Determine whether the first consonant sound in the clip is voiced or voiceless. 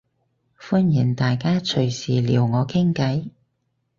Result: voiceless